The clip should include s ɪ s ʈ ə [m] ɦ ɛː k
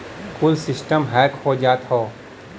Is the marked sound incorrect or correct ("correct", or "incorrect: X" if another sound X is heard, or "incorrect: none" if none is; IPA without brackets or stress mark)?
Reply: correct